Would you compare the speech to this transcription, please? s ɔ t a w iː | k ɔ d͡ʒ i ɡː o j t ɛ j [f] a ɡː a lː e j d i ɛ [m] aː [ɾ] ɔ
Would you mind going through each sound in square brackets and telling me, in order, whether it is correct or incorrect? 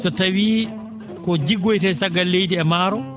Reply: incorrect: s, correct, correct

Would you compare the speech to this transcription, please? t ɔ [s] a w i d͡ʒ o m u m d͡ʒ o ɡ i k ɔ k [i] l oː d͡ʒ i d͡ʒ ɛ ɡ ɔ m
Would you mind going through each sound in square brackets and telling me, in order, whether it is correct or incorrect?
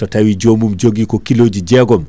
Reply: incorrect: t, correct

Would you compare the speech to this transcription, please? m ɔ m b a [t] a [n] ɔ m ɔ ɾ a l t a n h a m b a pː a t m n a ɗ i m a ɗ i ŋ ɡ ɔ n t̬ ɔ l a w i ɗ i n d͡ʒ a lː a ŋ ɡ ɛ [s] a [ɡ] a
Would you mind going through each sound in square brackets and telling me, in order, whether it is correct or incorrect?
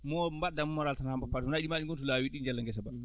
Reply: incorrect: d, incorrect: m, correct, incorrect: b

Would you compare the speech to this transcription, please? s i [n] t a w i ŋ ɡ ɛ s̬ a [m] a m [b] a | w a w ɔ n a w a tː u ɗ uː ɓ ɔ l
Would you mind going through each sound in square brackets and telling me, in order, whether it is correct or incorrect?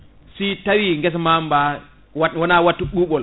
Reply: incorrect: none, correct, correct

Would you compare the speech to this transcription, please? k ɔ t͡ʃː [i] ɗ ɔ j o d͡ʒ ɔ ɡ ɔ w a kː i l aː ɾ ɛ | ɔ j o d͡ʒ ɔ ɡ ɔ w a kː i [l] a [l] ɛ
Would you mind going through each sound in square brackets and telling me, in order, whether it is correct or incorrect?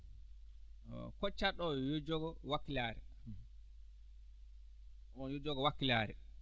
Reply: incorrect: a, correct, incorrect: ɾ

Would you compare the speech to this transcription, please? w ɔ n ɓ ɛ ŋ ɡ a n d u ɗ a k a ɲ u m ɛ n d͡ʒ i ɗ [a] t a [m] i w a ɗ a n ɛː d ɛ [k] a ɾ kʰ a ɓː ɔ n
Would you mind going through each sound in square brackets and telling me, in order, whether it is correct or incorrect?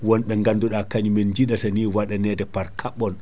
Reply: correct, incorrect: n, incorrect: p

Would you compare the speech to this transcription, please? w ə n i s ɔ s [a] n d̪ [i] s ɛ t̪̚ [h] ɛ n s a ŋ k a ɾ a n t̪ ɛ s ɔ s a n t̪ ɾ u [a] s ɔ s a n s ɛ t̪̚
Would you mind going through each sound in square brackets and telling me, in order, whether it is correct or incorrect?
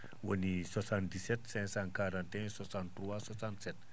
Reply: correct, correct, incorrect: s, correct

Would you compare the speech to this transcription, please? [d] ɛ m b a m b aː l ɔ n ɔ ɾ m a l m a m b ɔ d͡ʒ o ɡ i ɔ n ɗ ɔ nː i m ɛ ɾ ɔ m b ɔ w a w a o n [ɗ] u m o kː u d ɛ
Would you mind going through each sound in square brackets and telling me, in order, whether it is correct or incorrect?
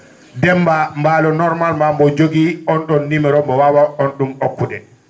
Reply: correct, correct

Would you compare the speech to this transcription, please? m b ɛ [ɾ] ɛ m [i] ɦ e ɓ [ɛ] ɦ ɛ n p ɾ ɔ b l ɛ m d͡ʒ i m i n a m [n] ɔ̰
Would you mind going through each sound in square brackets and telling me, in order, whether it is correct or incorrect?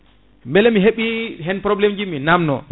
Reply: incorrect: l, correct, incorrect: i, correct

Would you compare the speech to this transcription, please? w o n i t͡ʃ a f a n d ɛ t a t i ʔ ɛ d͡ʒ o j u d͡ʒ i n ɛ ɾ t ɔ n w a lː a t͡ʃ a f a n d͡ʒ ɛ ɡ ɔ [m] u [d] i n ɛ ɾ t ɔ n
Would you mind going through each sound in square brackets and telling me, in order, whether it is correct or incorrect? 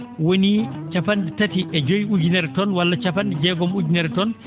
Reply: correct, incorrect: d͡ʒ

